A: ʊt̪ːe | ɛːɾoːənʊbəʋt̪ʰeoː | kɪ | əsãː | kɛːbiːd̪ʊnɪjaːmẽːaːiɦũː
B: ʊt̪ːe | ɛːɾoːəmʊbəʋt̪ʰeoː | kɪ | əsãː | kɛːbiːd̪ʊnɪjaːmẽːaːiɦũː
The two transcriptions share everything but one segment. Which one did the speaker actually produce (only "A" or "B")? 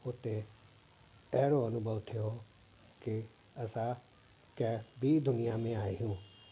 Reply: A